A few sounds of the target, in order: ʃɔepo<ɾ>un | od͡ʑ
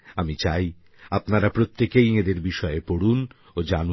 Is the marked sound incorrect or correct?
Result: incorrect